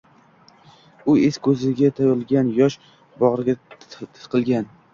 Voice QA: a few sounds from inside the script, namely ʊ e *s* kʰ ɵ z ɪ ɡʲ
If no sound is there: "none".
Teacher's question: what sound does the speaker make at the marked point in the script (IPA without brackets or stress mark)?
s